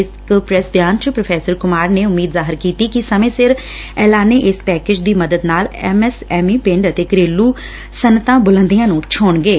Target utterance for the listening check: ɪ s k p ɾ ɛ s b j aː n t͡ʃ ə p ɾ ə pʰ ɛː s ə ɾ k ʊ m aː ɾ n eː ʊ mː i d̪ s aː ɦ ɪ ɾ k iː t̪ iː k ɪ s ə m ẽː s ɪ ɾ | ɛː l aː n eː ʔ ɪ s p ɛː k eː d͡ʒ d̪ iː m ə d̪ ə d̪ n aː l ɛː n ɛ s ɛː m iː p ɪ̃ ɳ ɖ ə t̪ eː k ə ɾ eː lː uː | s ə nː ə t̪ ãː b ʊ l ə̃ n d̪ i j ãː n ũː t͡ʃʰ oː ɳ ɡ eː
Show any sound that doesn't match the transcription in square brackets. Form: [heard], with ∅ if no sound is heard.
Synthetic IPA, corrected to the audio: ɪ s k p ɾ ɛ s b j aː n t͡ʃ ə p ɾ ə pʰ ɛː s ə ɾ k ʊ m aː ɾ n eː ʊ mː [iː] d̪ [z] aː ɦ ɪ ɾ k iː t̪ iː k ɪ s ə m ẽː s ɪ ɾ | ɛː l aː n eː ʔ ɪ s p ɛː k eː d͡ʒ d̪ iː m ə d̪ ə d̪ n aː l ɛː [m] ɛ s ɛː m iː p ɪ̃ ɳ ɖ ə t̪ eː k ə ɾ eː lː uː | s ə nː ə t̪ ãː b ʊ l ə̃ n d̪ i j ãː n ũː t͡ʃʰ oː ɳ ɡ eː